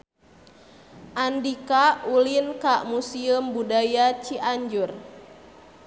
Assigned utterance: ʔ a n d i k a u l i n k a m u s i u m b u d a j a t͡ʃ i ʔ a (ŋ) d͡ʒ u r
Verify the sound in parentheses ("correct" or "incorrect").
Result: incorrect